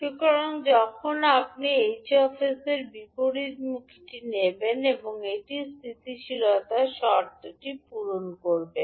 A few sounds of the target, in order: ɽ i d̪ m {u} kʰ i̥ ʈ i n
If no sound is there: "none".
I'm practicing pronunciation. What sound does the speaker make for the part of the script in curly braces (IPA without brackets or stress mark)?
u